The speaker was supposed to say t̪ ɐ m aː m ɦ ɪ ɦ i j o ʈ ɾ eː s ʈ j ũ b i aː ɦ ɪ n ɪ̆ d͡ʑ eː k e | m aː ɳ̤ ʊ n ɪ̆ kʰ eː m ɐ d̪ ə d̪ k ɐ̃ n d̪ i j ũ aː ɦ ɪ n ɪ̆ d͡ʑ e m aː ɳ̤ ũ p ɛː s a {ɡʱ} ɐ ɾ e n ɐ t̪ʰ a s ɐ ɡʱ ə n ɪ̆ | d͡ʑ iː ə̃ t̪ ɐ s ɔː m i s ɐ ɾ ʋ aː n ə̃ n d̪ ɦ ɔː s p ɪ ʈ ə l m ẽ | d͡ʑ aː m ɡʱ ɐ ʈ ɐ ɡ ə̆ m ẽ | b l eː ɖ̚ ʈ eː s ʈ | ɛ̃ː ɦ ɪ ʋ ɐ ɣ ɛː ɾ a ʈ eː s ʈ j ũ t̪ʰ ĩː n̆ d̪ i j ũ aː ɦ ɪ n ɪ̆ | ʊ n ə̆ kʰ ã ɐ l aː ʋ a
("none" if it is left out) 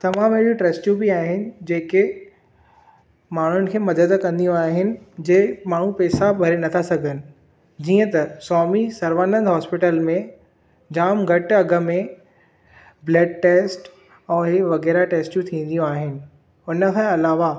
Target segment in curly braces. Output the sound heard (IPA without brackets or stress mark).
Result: bʱ